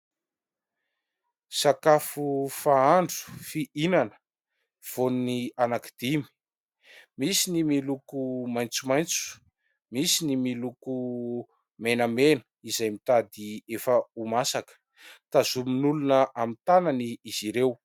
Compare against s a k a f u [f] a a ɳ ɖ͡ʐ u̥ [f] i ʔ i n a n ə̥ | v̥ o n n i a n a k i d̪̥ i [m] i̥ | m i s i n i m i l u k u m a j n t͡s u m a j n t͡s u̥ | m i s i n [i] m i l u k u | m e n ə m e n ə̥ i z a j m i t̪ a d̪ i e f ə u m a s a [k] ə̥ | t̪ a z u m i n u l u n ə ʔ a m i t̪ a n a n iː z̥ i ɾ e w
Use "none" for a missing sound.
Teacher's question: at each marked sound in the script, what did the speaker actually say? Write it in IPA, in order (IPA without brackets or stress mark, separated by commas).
f, f, m, i, k